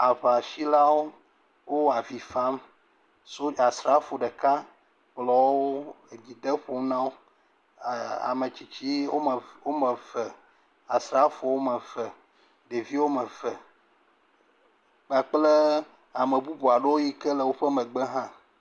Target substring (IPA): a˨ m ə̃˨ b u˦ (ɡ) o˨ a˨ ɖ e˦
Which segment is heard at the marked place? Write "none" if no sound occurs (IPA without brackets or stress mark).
b